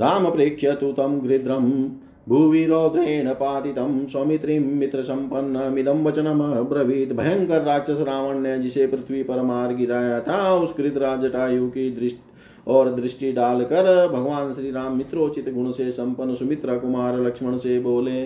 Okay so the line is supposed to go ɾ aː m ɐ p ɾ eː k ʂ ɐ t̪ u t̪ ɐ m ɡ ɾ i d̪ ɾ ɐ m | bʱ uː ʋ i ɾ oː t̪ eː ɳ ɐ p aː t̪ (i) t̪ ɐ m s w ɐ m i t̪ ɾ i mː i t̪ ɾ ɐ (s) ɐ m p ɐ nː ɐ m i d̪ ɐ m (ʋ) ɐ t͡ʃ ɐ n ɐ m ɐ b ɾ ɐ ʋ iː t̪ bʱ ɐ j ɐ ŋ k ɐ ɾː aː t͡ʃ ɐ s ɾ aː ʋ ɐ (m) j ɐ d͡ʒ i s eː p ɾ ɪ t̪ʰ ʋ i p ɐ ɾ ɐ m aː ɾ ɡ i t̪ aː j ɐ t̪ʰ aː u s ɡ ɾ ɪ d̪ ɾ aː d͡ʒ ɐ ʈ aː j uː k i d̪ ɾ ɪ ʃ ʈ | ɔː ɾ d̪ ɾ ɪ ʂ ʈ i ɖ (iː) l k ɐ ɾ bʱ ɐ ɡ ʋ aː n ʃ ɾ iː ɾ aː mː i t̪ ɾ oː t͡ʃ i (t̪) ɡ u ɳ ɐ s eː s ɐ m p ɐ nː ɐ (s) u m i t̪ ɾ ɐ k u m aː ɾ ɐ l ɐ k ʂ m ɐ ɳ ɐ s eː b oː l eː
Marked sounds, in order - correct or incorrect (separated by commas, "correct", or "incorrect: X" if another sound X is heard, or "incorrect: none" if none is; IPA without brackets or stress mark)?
correct, correct, correct, incorrect: ɳ, incorrect: aː, correct, correct